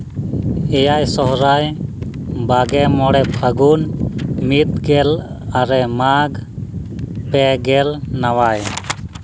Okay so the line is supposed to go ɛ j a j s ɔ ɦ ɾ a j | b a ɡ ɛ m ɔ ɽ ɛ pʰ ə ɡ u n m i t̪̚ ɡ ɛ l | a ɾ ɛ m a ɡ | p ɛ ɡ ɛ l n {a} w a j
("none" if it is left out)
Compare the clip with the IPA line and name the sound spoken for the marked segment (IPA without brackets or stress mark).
a